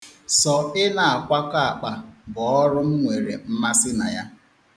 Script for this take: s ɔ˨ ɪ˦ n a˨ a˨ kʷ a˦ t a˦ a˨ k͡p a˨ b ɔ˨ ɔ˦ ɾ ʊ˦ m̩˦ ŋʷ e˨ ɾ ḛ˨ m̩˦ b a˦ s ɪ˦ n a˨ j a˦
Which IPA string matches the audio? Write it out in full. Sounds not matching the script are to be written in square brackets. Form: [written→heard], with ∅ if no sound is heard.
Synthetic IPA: s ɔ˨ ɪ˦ n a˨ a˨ kʷ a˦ [t→k] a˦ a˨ k͡p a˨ b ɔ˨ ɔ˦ ɾ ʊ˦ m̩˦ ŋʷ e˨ ɾ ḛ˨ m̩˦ [b→m] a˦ s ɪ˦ n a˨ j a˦